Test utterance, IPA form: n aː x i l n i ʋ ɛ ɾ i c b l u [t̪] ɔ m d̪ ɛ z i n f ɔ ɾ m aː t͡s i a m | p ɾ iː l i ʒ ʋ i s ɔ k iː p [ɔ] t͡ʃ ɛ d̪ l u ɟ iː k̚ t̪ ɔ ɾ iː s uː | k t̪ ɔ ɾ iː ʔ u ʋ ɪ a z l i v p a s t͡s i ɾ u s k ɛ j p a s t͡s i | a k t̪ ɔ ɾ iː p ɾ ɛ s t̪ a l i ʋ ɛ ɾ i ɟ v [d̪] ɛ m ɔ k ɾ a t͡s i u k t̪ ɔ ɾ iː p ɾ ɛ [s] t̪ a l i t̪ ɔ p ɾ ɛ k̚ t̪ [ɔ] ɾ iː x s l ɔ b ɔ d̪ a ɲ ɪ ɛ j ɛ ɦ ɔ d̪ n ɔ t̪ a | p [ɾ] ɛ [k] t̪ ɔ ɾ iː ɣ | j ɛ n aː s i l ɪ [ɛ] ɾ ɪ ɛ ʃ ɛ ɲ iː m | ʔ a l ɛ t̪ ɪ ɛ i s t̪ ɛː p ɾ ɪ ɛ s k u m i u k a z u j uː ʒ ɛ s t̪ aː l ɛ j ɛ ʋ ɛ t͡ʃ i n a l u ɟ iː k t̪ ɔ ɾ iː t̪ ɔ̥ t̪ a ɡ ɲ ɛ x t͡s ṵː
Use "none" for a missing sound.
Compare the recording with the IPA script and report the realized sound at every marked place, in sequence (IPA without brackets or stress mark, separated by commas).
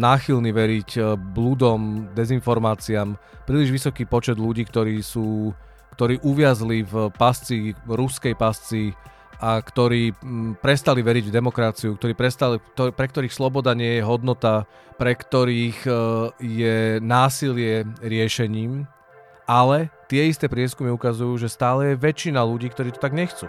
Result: d̪, ɔ, d̪, s, ɔ, ɾ, k, ɛ